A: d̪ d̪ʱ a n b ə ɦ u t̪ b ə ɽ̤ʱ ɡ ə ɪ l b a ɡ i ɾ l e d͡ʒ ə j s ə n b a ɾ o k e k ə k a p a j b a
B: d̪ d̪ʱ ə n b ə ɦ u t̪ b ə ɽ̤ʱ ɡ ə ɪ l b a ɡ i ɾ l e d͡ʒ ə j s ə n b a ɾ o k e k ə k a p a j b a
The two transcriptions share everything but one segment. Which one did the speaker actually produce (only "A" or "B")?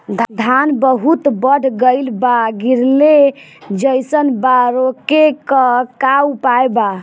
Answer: A